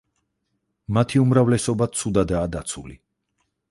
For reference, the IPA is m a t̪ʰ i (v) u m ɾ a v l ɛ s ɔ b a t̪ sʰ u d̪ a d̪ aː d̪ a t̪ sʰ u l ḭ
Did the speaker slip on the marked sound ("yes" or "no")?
yes